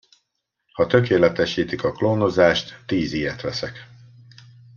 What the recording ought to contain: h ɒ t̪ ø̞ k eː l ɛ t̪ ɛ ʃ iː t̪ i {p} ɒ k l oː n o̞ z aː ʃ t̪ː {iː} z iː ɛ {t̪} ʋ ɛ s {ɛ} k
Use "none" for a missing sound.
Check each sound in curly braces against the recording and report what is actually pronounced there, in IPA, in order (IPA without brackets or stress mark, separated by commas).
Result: k, iː, t̪, ɛ